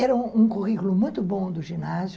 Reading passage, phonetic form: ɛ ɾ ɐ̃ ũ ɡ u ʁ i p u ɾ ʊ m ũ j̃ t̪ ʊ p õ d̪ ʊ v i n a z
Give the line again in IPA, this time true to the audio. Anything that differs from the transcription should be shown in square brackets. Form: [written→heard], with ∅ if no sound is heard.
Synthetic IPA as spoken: ɛ ɾ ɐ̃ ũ [ɡ→k] u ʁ i [p→k] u [ɾ→l] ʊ m ũ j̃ t̪ ʊ [p→b] õ d̪ ʊ [v→ʒ] i n a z